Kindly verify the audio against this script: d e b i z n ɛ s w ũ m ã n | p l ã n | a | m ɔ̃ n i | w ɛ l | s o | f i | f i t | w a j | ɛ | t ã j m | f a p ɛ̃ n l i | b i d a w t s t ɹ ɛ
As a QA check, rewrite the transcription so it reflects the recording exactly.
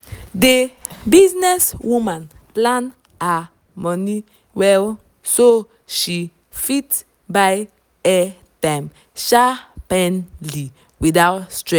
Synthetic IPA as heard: d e b i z n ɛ s w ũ m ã n | p l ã n | a | m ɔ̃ n i | w ɛ l | s o | ʃ i | f i t | b a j | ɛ | t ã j m | ʃ a p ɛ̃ n l i | w i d a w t s t ɹ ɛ